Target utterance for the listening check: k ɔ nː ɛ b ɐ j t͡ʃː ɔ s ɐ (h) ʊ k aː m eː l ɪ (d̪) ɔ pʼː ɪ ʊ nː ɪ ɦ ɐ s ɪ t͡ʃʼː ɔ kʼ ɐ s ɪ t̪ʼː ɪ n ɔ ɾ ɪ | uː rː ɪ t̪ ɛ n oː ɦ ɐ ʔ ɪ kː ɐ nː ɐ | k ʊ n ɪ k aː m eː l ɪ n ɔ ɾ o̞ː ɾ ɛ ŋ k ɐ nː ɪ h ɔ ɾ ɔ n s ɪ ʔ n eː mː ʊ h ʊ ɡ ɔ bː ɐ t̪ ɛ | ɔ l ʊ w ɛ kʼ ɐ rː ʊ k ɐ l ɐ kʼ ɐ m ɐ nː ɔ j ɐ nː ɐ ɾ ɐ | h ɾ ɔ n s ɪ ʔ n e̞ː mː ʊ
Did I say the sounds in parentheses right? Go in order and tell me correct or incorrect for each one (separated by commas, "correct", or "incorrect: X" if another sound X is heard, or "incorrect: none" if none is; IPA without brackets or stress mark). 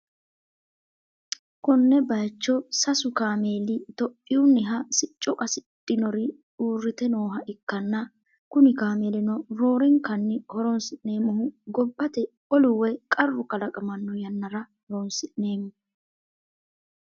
incorrect: s, incorrect: t̪